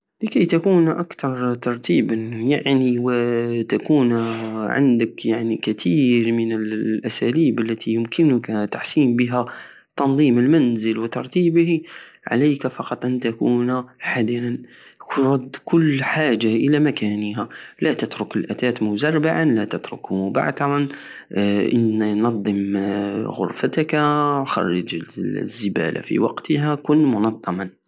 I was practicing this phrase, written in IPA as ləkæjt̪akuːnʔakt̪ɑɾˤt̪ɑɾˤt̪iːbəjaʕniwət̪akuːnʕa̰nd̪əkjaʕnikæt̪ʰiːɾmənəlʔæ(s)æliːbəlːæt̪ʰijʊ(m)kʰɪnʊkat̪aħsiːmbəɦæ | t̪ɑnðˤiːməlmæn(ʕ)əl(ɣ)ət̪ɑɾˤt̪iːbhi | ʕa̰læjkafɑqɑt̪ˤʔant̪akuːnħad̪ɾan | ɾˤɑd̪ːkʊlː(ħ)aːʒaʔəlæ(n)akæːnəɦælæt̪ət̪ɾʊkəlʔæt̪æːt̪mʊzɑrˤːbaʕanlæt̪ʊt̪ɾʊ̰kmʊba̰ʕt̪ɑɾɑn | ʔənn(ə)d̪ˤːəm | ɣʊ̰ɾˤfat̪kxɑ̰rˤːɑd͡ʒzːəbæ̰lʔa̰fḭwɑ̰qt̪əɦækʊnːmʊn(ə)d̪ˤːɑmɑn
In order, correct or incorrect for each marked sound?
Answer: correct, correct, incorrect, incorrect, correct, incorrect, incorrect, incorrect

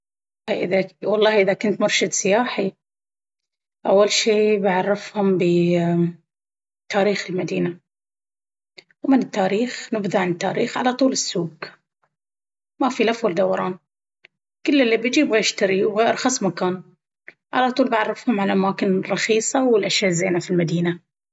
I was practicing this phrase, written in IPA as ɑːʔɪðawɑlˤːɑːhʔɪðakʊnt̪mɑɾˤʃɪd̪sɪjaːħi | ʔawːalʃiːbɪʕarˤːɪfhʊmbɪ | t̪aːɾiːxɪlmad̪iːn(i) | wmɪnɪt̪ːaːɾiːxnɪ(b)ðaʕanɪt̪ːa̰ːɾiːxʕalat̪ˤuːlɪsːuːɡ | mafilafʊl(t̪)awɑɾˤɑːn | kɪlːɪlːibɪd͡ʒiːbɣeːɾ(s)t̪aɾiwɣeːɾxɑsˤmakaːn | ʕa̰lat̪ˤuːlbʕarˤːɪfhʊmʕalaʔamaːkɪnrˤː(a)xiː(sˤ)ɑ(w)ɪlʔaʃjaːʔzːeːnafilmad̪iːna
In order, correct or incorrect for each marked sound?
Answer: incorrect, correct, incorrect, incorrect, incorrect, correct, correct

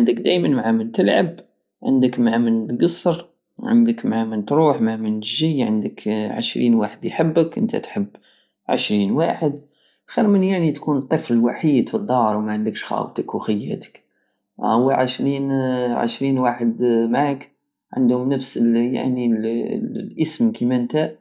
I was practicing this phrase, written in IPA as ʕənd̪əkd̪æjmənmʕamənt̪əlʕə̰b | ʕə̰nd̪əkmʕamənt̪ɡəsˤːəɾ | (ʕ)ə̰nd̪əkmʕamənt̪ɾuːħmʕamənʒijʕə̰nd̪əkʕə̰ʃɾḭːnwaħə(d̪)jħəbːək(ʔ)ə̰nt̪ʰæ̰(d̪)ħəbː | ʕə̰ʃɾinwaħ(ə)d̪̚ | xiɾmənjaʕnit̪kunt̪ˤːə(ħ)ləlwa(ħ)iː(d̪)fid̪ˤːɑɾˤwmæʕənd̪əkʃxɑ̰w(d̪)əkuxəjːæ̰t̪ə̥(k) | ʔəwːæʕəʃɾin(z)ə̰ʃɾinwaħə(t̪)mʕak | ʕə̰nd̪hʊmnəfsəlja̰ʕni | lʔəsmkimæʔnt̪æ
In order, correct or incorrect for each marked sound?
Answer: correct, correct, correct, incorrect, correct, incorrect, correct, correct, incorrect, correct, incorrect, incorrect

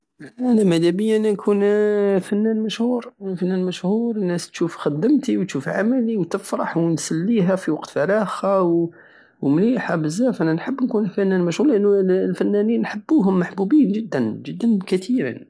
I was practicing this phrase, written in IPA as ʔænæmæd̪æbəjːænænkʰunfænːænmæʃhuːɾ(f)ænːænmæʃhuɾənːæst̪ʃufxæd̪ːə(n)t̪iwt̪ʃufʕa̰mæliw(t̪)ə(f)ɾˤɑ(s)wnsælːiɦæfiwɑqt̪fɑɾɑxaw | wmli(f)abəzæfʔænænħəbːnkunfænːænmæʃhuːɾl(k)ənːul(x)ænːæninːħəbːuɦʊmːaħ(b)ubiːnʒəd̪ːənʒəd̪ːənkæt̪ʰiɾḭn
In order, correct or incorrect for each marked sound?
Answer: correct, incorrect, correct, correct, incorrect, incorrect, incorrect, incorrect, correct

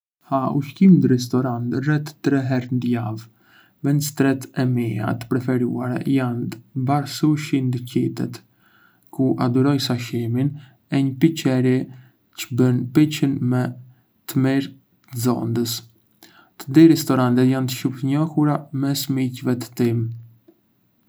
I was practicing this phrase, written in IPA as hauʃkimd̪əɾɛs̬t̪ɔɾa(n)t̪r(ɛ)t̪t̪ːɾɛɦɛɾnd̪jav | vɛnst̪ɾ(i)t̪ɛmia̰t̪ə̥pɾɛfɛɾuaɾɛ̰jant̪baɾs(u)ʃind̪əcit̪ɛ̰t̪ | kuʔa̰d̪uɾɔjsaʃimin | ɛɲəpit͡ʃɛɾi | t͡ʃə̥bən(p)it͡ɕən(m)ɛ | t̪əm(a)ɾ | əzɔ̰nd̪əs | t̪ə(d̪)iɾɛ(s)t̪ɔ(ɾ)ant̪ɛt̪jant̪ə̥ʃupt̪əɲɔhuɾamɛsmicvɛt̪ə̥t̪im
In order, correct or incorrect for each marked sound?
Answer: correct, correct, incorrect, correct, correct, correct, incorrect, correct, correct, correct

